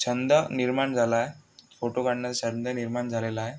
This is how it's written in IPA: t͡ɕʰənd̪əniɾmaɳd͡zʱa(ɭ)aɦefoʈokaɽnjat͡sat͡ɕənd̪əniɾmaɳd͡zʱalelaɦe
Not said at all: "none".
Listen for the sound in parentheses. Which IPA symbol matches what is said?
l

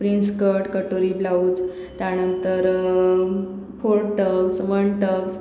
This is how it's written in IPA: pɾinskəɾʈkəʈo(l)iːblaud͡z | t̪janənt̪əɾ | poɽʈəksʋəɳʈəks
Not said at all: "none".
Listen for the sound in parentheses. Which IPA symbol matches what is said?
ɾ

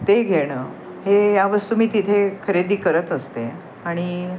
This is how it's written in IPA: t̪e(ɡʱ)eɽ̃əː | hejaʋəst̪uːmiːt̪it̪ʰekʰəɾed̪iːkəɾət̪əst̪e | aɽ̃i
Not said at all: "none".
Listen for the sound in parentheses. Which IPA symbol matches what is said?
ɡʱ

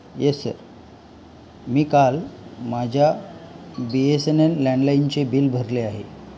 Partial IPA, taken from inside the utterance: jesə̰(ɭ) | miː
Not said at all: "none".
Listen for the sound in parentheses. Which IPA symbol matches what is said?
ɾ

